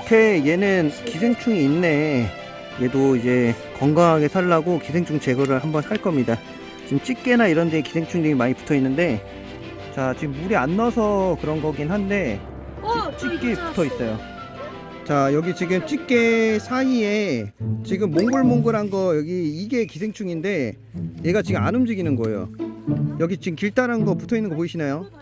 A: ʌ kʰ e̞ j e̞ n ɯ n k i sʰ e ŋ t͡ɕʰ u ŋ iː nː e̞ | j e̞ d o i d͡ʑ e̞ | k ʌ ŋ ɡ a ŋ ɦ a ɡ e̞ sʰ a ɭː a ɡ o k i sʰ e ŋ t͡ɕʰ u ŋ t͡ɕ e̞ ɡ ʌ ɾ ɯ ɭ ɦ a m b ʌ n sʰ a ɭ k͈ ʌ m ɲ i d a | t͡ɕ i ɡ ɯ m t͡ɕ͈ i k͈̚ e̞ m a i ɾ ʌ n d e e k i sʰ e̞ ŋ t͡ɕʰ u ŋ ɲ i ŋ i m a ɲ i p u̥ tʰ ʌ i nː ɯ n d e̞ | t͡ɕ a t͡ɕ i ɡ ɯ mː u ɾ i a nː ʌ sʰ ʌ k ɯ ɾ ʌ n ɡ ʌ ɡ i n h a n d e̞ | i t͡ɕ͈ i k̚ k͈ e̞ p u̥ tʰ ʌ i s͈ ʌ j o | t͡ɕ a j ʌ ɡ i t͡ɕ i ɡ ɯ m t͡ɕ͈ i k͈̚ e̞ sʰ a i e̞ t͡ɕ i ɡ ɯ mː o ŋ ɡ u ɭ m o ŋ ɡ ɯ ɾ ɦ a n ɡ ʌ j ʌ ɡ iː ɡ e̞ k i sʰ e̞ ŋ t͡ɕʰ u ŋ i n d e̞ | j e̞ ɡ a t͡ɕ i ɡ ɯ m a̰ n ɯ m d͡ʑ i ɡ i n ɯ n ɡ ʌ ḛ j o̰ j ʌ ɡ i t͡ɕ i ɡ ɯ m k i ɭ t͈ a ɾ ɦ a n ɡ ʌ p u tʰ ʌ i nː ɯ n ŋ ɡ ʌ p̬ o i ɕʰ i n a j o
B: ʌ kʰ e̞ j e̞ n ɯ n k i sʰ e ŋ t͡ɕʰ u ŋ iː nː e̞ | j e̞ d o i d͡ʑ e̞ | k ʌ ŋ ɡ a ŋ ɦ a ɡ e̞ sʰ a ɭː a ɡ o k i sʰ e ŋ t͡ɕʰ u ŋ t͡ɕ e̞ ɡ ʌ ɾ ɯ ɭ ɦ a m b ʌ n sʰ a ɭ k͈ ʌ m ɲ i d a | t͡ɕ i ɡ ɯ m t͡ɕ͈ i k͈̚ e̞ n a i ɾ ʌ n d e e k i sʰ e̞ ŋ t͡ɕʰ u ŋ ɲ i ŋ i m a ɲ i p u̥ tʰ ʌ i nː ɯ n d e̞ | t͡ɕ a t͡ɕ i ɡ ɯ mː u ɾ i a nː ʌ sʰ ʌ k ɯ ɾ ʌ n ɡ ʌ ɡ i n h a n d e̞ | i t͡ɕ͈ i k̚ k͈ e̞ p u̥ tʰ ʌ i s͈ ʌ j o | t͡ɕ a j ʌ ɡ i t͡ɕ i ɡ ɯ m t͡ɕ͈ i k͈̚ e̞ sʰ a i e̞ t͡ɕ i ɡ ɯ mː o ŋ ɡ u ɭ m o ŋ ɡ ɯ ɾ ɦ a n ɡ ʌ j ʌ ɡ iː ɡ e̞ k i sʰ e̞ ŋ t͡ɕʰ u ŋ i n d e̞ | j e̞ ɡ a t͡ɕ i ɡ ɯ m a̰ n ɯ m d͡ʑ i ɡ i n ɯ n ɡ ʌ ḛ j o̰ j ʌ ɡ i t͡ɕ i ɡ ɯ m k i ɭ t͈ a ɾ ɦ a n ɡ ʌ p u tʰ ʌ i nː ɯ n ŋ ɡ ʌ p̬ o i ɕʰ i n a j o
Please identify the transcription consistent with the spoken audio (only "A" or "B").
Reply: B